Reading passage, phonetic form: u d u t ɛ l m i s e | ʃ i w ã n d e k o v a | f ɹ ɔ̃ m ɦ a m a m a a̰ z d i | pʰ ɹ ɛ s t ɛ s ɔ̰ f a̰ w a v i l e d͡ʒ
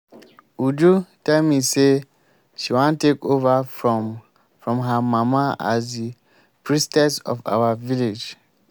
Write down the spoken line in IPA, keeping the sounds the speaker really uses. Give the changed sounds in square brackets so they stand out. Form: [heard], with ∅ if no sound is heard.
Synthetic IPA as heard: u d u t ɛ l m i s e | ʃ i w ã n [t] e k o v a | f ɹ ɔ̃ m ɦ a m a m a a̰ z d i | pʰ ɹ [i] s t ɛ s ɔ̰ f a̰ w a v i l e d͡ʒ